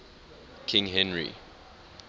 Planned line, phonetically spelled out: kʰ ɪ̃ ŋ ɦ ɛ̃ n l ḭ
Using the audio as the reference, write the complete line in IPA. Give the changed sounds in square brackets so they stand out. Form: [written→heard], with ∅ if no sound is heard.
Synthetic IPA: kʰ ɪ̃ ŋ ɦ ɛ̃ n [l→ɹ] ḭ